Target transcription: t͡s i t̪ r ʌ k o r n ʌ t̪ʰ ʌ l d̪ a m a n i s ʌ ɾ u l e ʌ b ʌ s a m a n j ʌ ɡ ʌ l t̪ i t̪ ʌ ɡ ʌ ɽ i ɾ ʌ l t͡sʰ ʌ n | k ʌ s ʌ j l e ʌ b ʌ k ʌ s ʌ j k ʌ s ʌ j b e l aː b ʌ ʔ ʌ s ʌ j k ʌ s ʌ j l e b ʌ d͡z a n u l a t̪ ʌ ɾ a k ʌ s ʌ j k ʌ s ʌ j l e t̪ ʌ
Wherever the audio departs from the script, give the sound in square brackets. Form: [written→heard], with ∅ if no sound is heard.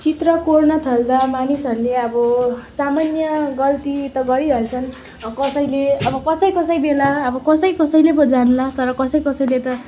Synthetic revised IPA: t͡s i t̪ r ʌ k o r n ʌ t̪ʰ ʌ l d̪ a m a n i s ʌ ɾ u l e ʌ b ʌ s a m a n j ʌ ɡ ʌ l t̪ i t̪ ʌ ɡ ʌ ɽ i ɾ ʌ l t͡sʰ ʌ n | k ʌ s ʌ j l e ʌ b ʌ k ʌ s ʌ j k ʌ s ʌ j b e l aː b ʌ [ʔ→k] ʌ s ʌ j k ʌ s ʌ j l e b ʌ d͡z a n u l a t̪ ʌ ɾ [a→ʌ] k ʌ s ʌ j k ʌ s ʌ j l e t̪ ʌ